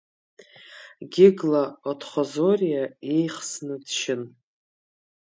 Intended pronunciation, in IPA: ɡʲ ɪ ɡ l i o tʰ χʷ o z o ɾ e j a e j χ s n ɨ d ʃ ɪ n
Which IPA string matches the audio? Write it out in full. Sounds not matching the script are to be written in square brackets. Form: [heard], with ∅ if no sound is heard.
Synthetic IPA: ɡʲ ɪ ɡ l [a] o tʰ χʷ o z o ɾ [i] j a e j χ s n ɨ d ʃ ɪ n